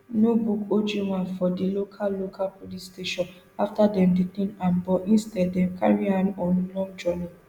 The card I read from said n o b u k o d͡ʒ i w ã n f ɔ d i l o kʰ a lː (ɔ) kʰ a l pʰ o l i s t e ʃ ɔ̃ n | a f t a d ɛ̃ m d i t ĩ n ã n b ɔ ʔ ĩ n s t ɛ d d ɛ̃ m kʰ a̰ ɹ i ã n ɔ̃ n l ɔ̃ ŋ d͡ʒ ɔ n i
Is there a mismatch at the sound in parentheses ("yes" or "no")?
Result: yes